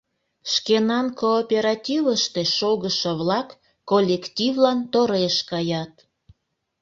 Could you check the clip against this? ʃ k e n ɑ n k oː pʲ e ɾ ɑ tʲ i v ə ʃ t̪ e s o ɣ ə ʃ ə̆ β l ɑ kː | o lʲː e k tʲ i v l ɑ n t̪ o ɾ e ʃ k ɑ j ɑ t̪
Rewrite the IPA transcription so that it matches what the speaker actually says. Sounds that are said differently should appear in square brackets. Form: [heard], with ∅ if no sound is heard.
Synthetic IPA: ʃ k e n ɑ n k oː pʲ e ɾ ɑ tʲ i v ə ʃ t̪ e [ʃ] o ɣ ə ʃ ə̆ β l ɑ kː | o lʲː e k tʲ i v l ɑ n t̪ o ɾ e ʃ k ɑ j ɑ t̪